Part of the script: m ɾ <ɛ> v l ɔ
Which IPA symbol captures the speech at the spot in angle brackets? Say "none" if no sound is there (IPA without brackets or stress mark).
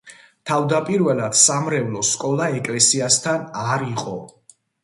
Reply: ɛ